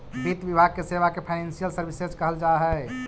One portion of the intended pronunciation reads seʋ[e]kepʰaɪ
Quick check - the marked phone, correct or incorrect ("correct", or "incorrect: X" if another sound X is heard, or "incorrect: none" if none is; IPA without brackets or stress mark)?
incorrect: a